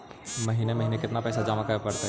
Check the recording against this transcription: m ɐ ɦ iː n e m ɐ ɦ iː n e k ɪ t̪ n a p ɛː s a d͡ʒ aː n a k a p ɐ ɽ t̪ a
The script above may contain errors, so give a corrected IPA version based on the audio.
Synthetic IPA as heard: m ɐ ɦ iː n e m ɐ ɦ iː n e k ɪ t̪ n a p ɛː s a d͡ʒ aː m a k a p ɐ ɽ t̪ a